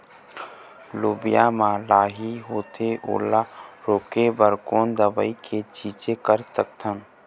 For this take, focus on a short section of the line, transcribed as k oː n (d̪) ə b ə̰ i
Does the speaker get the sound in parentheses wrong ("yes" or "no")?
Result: no